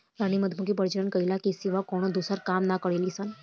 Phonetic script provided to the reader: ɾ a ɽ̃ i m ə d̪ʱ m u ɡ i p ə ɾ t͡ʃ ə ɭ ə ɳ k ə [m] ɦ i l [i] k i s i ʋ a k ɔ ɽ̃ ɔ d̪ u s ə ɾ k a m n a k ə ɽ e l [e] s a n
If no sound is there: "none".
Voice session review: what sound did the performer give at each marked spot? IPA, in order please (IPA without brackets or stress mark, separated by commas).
none, a, i